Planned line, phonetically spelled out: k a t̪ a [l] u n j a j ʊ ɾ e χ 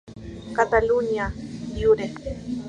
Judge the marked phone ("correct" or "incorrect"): correct